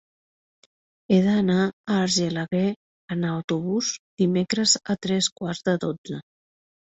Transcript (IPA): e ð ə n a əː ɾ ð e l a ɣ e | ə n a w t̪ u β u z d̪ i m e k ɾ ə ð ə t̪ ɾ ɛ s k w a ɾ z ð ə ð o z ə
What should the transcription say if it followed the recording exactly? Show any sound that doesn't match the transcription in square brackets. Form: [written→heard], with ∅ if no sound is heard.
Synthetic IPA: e ð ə n a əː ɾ [ð→ʒ] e l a ɣ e | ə n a w t̪ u β u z d̪ i m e k ɾ ə [ð→z] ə t̪ ɾ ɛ s k w a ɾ z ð ə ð o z ə